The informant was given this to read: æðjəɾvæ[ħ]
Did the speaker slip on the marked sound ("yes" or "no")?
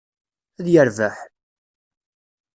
no